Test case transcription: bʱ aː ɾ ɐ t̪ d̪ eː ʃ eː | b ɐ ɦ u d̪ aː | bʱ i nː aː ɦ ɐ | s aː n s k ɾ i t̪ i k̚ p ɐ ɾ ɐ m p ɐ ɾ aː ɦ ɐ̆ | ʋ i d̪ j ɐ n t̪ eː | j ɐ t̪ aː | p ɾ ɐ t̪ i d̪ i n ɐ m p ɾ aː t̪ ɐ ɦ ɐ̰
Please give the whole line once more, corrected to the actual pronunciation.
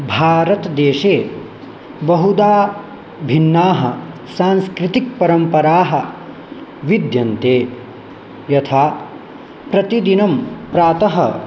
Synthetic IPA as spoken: bʱ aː ɾ ɐ t̪ d̪ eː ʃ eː | b ɐ ɦ u d̪ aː | bʱ i nː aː ɦ ɐ | s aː n s k ɾ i t̪ i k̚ p ɐ ɾ ɐ m p ɐ ɾ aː ɦ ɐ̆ | ʋ i d̪ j ɐ n t̪ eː | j ɐ t̪ʰ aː | p ɾ ɐ t̪ i d̪ i n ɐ m p ɾ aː t̪ ɐ ɦ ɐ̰